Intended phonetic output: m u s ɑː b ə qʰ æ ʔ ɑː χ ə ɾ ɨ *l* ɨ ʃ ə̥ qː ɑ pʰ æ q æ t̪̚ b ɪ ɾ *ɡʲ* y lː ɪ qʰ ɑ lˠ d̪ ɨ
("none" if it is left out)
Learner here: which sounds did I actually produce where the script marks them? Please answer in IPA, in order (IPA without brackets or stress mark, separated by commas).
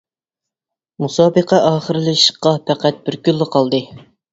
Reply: l, kʲ